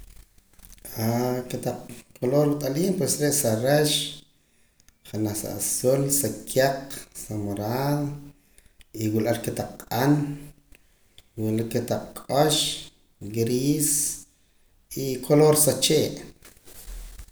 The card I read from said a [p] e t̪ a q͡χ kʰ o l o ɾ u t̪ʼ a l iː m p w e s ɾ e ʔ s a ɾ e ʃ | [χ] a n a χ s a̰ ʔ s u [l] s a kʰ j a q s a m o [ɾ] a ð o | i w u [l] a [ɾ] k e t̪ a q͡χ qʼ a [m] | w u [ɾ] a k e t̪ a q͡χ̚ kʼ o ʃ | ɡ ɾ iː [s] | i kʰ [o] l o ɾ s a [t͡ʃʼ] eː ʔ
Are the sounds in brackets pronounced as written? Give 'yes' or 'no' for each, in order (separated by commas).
no, yes, yes, yes, yes, yes, no, no, yes, yes, no